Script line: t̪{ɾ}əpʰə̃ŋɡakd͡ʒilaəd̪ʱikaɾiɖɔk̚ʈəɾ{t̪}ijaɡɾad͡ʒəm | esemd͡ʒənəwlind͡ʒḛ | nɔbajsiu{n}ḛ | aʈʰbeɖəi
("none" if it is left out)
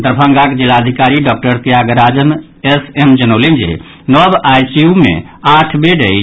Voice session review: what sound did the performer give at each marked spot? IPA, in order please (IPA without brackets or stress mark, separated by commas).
ɾ, t̪, m